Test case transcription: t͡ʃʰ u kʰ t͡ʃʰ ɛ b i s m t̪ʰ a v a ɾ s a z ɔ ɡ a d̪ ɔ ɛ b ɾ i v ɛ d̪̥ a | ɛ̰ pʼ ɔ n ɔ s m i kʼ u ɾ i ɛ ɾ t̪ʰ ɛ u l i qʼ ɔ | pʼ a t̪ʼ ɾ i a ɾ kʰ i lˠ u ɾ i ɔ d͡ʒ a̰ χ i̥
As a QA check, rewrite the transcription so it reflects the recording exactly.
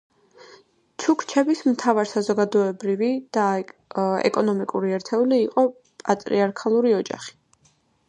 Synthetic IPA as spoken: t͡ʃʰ u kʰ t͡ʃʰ ɛ b i s m t̪ʰ a v a ɾ s a z ɔ ɡ a d̪ ɔ ɛ b ɾ i v i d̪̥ a | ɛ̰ kʼ ɔ n ɔ m i kʼ u ɾ i ɛ ɾ t̪ʰ ɛ u l iː qʼ ɔ | pʼ a t̪ʼ ɾ i a ɾ kʰ a lˠ u ɾ i ɔ d͡ʒ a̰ χ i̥

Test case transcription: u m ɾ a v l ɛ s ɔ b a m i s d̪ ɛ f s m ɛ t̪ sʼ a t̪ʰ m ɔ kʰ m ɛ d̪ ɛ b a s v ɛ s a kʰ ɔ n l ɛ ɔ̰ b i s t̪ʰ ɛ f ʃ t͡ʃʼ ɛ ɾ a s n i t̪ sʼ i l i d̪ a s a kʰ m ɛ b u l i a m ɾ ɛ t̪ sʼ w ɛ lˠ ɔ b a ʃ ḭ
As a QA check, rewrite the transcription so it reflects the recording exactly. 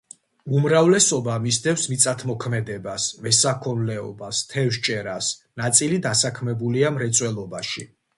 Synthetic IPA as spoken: u m ɾ a v l ɛ s ɔ b a m i s d̪ ɛ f s m i t̪ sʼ a t̪ʰ m ɔ kʰ m ɛ d̪ ɛ b a s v ɛ s a kʰ ɔ n l ɛ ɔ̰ b a s t̪ʰ ɛ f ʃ t͡ʃʼ ɛ ɾ a s n a t̪ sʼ i l i d̪ a s a kʰ m ɛ b u l i a m ɾ ɛ t̪ sʼ w ɛ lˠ ɔ b a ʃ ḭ

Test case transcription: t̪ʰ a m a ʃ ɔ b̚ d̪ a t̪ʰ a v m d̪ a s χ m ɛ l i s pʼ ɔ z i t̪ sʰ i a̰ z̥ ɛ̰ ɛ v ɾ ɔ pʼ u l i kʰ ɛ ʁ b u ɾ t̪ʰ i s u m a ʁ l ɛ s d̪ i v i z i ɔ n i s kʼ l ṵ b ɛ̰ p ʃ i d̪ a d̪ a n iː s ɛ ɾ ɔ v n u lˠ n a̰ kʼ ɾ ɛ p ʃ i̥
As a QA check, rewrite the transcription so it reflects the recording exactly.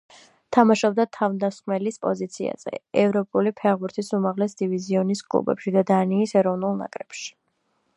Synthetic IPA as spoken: t̪ʰ a m a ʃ ɔ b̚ d̪ a t̪ʰ a v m d̪ a s χ m ɛ l i s pʼ ɔ z i t̪ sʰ i a̰ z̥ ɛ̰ ɛ v ɾ ɔ pʼ u l i pʰ ɛ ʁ b u ɾ t̪ʰ i s u m a ʁ l ɛ s d̪ i v i z i ɔ n i s kʼ l ṵ b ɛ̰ p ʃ i d̪ a d̪ a n iː s ɛ ɾ ɔ v n u lˠ n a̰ kʼ ɾ ɛ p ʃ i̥

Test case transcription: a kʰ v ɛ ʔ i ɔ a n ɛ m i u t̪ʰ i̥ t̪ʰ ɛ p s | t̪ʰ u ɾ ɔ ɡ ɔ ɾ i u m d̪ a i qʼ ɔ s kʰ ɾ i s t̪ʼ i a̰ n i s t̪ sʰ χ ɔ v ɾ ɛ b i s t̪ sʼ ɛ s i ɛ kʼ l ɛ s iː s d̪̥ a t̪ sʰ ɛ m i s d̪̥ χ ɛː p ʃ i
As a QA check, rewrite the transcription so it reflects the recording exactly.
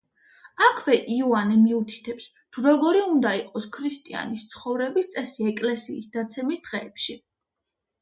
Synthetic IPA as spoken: a kʰ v ɛ ʔ i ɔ a n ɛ m i u t̪ʰ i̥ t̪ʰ ɛ p s | t̪ʰ u ɾ ɔ ɡ ɔ ɾ i u n d̪ a i qʼ ɔ s kʰ ɾ i s t̪ʼ i a̰ n i s t̪ sʰ χ ɔ v ɾ ɛ b i s t̪ sʼ ɛ s i ɛ kʼ l ɛ s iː s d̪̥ a t̪ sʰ ɛ m i s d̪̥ ʁ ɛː p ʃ i

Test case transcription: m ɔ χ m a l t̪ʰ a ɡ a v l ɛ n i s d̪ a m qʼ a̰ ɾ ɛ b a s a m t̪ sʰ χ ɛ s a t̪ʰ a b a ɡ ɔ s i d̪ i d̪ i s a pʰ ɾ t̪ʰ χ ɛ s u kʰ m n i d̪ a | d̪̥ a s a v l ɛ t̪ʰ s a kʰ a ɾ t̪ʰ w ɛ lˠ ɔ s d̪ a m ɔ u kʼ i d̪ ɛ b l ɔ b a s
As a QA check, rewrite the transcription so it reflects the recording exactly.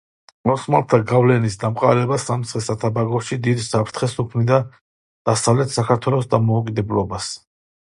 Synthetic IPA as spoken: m ɔ s m a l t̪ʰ a ɡ a v l ɛ n i s d̪ a m qʼ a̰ ɾ ɛ b a s a m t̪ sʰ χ ɛ s a t̪ʰ a b a ɡ ɔ ʃ i d̪ i d̪ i s a pʰ ɾ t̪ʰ χ ɛ s u kʰ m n i d̪ a | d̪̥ a s a v l ɛ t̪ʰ s a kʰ a ɾ t̪ʰ w ɛ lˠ ɔ s d̪ a m ɔ u kʼ i d̪ ɛ b l ɔ b a s

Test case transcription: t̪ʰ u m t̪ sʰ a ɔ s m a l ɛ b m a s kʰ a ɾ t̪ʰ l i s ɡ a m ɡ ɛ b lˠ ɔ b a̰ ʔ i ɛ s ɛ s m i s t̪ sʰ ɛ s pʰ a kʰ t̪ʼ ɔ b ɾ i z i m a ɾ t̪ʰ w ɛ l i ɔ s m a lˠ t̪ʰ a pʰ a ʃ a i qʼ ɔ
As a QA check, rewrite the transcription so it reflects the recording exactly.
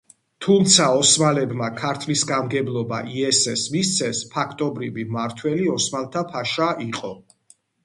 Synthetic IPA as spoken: t̪ʰ u m t̪ sʰ a ɔ s m a l ɛ b m a kʰ a ɾ t̪ʰ l i s ɡ a m ɡ ɛ b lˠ ɔ b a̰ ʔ i ɛ s ɛ s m i s t̪ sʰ ɛ s pʰ a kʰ t̪ʼ ɔ b ɾ i v i m a ɾ t̪ʰ w ɛ l i ɔ s m a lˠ t̪ʰ a pʰ a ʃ a i qʼ ɔ

